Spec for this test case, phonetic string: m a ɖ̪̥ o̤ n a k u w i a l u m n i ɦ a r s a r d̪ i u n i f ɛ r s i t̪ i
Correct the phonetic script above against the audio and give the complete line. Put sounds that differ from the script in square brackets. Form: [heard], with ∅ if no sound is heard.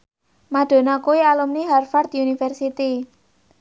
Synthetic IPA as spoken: m a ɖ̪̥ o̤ n a k u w i a l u m n i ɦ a r [f] a r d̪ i u n i f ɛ r s i t̪ i